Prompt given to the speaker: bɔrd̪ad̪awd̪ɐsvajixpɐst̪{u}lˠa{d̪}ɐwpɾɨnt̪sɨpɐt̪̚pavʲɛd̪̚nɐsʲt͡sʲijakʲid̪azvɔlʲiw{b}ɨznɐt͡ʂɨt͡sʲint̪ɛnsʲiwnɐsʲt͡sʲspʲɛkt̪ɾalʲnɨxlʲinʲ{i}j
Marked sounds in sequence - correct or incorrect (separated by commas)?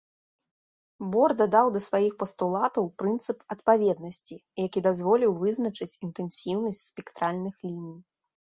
correct, incorrect, incorrect, correct